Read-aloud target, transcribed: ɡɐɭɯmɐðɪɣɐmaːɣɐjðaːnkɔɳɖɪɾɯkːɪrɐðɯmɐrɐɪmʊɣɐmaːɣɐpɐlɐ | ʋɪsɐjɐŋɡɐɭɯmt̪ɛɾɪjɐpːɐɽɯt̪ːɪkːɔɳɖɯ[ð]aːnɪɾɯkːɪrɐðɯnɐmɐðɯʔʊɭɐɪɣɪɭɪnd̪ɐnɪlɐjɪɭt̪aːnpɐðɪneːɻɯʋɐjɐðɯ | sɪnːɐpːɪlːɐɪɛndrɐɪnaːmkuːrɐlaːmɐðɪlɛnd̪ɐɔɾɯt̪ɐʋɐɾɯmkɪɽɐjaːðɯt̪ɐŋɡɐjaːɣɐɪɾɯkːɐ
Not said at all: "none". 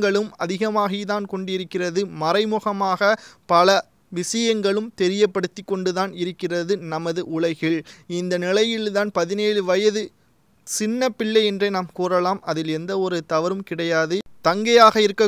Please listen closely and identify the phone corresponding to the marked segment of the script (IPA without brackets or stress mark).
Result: ð